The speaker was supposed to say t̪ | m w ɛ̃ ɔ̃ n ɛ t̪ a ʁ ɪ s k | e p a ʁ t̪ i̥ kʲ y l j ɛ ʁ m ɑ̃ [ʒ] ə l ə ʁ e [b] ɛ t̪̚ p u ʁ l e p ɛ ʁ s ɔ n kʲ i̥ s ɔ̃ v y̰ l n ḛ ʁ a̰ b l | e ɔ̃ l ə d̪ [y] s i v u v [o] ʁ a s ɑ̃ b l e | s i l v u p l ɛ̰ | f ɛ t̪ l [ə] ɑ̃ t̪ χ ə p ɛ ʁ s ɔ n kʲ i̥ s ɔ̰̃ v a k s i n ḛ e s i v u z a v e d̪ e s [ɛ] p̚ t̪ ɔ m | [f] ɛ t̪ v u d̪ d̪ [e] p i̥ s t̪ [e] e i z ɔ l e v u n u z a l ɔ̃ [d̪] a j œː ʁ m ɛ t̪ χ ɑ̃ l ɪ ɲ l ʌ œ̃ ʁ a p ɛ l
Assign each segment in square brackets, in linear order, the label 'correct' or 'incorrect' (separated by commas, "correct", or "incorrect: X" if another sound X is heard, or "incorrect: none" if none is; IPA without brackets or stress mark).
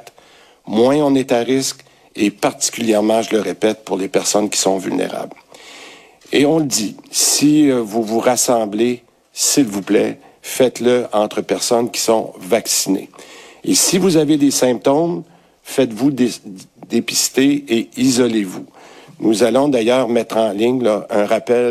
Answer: correct, incorrect: p, incorrect: i, incorrect: u, correct, incorrect: ɛ̃, correct, correct, correct, correct